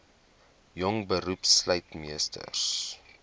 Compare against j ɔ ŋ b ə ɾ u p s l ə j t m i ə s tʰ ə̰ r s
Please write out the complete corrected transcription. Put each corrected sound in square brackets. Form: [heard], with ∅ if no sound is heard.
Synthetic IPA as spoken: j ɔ ŋ b ə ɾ u p s l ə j t m i ə s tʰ ə̰ r s